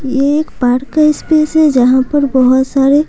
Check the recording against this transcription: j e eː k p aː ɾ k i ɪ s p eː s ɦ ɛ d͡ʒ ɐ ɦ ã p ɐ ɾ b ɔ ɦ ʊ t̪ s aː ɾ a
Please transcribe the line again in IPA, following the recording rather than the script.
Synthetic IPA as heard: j e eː k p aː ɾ k a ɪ s p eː s ɦ ɛ d͡ʒ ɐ ɦ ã p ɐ ɾ b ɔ ɦ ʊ t̪ s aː ɾ e